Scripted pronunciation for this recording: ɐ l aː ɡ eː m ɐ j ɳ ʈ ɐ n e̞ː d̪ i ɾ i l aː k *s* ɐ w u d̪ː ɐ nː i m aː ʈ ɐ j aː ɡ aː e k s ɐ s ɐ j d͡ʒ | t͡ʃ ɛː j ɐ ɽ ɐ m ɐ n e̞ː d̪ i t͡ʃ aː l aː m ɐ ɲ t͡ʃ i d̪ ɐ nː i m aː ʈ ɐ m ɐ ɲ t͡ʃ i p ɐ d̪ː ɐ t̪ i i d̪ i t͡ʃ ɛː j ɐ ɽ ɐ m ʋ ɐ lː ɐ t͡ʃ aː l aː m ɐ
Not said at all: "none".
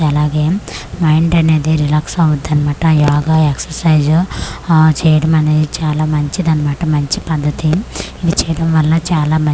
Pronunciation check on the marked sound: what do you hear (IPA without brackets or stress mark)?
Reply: s